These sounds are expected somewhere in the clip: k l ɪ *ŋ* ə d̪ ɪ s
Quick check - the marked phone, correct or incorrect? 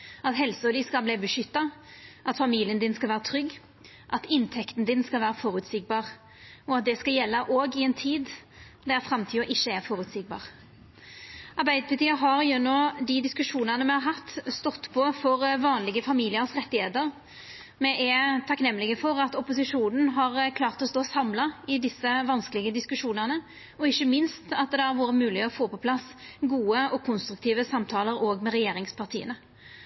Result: incorrect